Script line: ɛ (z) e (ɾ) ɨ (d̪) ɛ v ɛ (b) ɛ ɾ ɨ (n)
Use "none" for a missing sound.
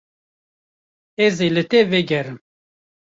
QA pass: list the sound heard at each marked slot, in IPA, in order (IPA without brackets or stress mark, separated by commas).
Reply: z, l, t̪, ɡ, m